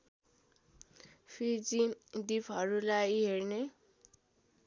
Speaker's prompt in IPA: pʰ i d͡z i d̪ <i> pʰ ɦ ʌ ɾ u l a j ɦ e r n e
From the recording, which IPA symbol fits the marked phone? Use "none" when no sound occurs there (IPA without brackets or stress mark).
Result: i